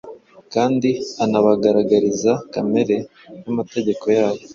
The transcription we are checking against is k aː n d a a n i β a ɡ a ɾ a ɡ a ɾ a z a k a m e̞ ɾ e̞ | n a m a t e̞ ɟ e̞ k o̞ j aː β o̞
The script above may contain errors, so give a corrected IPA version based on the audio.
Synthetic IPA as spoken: k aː n d i a n a β a ɡ a ɾ a ɡ a ɾ i z a k a m e̞ ɾ e̞ | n a m a t e̞ ɟ e̞ k o̞ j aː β o̞